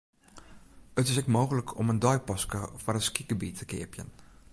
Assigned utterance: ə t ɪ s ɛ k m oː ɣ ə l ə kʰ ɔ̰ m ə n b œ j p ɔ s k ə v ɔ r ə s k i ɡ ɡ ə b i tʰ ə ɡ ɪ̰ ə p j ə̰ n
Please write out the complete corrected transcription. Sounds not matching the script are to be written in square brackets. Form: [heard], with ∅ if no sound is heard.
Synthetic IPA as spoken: ə t ɪ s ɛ k m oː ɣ ə l ə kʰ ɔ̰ m ə n [d] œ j p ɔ s k ə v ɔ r ə s k i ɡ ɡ ə b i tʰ ə [k] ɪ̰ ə p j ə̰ n

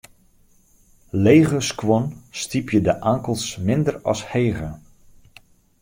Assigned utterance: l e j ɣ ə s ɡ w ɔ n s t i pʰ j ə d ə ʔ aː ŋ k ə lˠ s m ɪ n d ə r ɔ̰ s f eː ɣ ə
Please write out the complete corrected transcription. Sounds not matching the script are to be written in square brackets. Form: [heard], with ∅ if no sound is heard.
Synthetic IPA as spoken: l e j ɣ ə s [k] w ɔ n s t i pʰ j ə d ə ʔ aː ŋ k ə lˠ s m ɪ n d ə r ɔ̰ s [h] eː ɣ ə

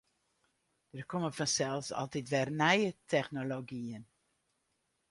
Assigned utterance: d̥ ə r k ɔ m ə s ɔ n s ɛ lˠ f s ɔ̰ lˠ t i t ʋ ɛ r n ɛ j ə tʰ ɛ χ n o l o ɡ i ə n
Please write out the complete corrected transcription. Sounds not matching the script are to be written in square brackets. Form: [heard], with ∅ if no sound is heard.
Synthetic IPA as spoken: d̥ ə r k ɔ m ə [f] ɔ n s ɛ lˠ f s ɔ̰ lˠ t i t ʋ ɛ r n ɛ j ə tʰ ɛ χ n o l o ɡ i ə n

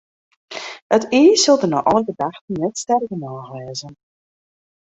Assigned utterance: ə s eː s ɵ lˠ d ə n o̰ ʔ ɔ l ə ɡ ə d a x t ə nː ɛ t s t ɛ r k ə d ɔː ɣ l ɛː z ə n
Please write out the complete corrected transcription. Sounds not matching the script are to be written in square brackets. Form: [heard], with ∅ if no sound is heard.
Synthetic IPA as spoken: ə [t] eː s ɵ lˠ d ə n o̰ ʔ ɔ l ə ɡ ə d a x t ə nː ɛ t s t ɛ r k ə [n] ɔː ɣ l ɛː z ə n

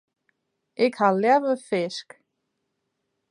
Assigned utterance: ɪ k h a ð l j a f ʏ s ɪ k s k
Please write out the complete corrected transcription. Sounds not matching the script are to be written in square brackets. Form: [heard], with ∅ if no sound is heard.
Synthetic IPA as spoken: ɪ k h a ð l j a [v] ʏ [f] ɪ [∅] s k

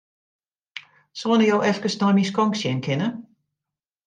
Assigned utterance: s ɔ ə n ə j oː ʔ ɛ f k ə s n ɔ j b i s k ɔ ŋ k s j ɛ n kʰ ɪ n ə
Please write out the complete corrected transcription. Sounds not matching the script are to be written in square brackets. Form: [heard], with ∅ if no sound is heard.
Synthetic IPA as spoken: s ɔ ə n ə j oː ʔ ɛ f k ə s n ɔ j [m] i s k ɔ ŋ k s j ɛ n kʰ ɪ n ə

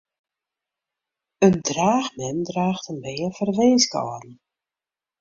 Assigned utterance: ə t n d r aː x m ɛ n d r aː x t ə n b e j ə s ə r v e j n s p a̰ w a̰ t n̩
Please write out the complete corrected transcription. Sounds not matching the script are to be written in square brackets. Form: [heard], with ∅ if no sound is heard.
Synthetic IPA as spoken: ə [∅] n d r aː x m ɛ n d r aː x t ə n b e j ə [f] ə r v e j n s [k] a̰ w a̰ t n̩

